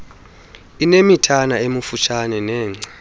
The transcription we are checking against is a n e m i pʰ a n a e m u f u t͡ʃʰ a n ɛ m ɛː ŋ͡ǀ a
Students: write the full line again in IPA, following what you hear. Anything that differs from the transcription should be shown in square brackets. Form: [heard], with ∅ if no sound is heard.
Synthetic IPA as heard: [i] n e m i [tʰ] a n a e m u f u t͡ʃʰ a n ɛ [n] ɛː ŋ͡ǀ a